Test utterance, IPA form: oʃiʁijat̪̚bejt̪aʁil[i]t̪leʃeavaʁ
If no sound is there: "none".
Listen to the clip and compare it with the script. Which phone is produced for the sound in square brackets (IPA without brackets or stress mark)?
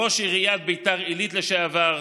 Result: i